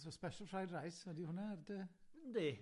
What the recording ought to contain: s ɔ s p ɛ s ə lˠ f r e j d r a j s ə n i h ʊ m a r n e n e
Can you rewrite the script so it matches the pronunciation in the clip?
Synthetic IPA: s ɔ s p ɛ ʃ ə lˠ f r a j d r a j s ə d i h ʊ n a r d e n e